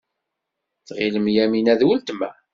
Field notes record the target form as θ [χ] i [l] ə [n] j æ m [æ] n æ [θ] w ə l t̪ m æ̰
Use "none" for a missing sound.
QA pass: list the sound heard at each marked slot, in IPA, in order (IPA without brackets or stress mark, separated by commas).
ʁ, l, m, i, ð